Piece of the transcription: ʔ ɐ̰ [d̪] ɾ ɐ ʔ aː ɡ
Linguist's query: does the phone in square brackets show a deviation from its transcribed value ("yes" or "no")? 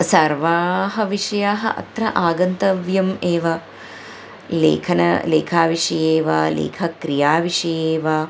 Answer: yes